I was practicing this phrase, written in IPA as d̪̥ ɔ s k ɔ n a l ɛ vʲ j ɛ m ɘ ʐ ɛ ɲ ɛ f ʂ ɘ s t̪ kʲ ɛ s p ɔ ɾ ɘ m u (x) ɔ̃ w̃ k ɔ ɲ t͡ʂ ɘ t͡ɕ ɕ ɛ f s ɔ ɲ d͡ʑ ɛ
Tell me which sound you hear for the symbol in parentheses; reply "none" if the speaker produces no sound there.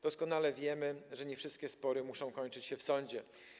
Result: ʂ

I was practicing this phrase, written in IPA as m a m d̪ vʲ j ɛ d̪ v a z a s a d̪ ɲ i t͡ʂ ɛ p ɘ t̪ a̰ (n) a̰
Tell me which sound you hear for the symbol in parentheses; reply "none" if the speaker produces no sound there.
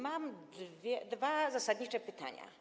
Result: ɲ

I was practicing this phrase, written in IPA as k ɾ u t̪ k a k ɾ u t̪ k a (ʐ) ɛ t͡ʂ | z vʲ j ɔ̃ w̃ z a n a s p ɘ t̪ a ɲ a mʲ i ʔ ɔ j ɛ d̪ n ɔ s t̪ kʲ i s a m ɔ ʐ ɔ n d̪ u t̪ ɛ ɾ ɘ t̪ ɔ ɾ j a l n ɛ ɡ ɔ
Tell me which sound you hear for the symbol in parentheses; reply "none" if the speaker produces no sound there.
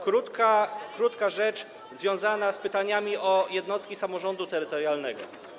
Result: ʐ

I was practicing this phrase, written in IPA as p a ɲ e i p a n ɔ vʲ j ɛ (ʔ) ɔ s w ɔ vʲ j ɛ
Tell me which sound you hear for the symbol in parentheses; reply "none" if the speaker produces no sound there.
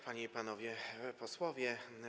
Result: p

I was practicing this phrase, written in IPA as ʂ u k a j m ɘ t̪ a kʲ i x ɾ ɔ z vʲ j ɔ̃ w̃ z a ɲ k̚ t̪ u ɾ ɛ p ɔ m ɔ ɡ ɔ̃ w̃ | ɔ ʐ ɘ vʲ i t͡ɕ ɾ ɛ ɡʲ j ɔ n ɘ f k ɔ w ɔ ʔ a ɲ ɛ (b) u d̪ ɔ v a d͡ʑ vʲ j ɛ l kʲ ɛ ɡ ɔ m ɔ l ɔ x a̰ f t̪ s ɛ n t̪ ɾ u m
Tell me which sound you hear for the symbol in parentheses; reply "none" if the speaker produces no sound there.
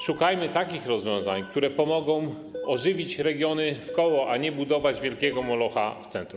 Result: b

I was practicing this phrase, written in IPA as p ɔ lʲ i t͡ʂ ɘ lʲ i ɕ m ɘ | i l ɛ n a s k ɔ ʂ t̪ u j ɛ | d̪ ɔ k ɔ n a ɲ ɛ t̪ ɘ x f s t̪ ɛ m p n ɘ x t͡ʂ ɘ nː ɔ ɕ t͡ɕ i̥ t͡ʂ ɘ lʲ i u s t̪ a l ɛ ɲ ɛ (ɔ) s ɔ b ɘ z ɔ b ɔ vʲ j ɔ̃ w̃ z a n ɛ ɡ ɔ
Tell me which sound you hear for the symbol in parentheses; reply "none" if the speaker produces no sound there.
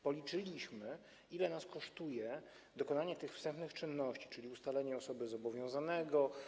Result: ɔ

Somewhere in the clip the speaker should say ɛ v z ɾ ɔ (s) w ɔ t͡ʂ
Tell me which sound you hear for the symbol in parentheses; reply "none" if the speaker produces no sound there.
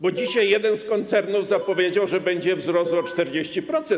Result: s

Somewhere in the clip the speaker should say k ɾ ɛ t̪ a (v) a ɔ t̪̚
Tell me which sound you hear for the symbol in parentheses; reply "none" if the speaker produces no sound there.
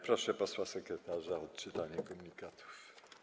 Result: ʐ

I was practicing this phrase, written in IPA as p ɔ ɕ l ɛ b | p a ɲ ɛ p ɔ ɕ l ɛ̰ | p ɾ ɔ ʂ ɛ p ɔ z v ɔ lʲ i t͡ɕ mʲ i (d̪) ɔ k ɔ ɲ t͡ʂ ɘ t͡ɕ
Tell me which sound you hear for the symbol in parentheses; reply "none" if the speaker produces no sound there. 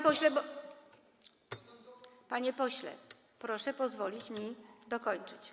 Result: d̪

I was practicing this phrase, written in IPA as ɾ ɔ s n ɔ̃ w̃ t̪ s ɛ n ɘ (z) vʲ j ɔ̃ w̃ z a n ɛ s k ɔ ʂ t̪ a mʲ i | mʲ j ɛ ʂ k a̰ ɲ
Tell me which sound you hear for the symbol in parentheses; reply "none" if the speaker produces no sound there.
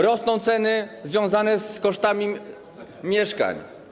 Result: z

